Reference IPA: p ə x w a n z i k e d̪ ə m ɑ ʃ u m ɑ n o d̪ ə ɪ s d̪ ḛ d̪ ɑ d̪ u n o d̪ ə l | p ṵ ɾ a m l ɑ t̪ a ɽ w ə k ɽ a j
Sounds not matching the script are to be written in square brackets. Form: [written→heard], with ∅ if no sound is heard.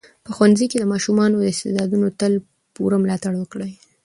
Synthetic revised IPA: p ə x w a n z i k e d̪ ə m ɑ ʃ u m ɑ n o d̪ ə ɪ s [d̪→t̪] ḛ d̪ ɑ d̪ u n o [d̪→t̪] ə l | p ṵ ɾ a m l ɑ t̪ a ɽ w ə k ɽ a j